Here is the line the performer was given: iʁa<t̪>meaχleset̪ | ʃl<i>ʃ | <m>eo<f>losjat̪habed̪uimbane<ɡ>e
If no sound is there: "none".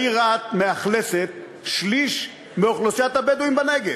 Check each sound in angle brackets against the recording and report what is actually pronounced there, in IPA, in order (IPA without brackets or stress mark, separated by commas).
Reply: t̪, i, m, χ, ɡ